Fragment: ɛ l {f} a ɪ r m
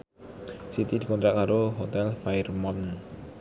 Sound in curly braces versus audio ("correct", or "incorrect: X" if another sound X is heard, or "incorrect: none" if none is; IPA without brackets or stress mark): correct